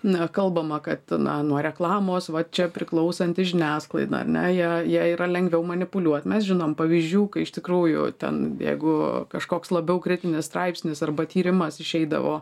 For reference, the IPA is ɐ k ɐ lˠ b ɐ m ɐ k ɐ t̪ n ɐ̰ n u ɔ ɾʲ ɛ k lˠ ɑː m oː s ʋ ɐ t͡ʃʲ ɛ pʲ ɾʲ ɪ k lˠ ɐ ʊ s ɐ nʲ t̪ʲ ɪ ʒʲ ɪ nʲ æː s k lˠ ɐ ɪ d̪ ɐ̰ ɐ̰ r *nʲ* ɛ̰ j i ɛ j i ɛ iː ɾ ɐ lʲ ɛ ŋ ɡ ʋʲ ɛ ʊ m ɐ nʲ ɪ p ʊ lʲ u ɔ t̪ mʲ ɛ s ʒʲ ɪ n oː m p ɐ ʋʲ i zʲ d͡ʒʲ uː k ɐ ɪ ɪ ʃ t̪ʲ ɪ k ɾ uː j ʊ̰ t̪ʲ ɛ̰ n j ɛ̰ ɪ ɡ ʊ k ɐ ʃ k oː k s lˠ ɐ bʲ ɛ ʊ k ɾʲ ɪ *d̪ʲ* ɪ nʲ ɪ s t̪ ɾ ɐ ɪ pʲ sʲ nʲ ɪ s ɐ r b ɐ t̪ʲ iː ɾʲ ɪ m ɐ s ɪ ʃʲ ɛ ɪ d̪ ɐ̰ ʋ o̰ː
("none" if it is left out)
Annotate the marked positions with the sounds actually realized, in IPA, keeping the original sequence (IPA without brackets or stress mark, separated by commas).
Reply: nʲ, t̪ʲ